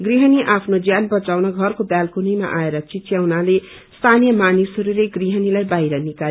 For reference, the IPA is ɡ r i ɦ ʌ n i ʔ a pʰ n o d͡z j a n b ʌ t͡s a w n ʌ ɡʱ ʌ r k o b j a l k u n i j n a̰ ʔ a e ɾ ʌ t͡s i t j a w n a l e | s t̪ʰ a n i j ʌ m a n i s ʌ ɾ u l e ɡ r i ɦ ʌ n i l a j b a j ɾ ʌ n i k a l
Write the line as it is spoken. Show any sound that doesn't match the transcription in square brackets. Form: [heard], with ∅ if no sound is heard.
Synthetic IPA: ɡ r i ɦ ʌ n i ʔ a pʰ n o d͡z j a n b ʌ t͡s a w n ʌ ɡʱ ʌ r k o b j a l k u n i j [m] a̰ ʔ a e ɾ ʌ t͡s i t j a w n a l e | s t̪ʰ a n i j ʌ m a n i s ʌ ɾ u l e ɡ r i ɦ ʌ n i l a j b a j ɾ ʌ n i k a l